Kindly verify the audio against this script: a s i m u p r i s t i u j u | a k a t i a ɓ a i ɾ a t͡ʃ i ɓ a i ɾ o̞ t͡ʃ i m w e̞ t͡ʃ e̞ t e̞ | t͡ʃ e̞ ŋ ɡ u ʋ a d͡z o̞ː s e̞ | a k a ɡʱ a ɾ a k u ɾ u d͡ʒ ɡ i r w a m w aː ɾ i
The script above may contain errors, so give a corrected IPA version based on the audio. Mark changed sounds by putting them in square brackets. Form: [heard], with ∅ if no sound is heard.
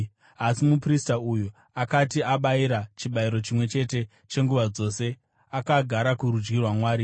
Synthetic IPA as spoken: a s i m u p r i s t [a] u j u | a k a t i a ɓ a i ɾ a t͡ʃ i ɓ a i ɾ o̞ t͡ʃ i m w e̞ t͡ʃ e̞ t e̞ | t͡ʃ e̞ ŋ ɡ u ʋ a d͡z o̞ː s e̞ | a k a ɡʱ a ɾ a k u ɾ u d͡ʒ ɡ i r w a m w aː ɾ i